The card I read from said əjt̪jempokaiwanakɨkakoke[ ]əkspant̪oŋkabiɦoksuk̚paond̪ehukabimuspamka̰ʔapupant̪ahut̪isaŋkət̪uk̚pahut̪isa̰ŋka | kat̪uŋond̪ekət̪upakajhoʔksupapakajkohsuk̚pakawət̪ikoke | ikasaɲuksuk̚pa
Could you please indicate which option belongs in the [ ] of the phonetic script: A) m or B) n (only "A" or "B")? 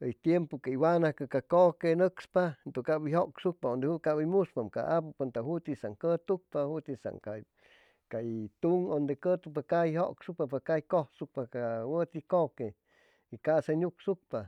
B